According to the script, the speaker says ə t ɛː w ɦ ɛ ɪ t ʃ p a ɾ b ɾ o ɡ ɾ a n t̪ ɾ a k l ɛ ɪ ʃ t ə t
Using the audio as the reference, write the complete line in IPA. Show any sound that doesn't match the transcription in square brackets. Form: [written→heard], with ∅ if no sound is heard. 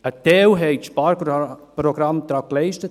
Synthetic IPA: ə t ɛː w ɦ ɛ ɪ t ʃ p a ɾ [b→p] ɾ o ɡ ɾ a [n→m] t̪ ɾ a k l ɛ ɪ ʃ t ə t